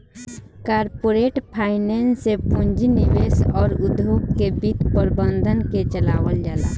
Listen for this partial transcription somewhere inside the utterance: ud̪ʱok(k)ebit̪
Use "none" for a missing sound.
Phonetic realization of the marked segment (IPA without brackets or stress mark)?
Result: k